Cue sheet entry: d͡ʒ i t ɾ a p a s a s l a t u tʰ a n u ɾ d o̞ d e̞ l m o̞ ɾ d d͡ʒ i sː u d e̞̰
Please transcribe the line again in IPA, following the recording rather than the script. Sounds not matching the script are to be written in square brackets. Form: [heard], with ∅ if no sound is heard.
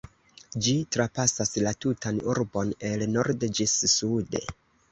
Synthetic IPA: d͡ʒ i t ɾ a p a s a s l a t u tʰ a n u ɾ [b] o̞ [n] e̞ l [n] o̞ ɾ d d͡ʒ i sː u d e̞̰